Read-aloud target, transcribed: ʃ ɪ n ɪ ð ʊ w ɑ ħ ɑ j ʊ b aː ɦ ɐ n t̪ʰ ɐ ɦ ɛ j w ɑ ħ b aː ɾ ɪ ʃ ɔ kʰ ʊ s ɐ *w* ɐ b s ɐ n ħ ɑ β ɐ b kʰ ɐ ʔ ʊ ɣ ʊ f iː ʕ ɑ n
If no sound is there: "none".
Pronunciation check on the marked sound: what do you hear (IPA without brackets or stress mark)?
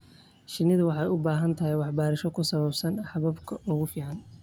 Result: β